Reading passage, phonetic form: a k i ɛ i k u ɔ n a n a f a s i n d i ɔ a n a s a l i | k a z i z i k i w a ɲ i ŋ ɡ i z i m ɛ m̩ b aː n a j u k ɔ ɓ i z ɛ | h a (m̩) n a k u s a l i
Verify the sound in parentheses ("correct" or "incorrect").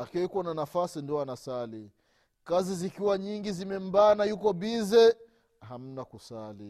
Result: correct